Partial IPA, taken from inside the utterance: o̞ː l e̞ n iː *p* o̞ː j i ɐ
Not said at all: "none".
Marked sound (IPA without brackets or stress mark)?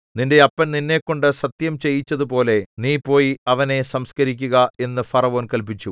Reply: p